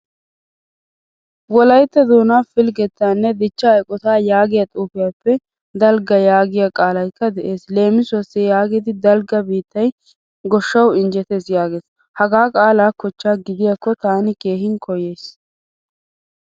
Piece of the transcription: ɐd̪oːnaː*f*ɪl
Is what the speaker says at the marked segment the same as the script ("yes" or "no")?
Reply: yes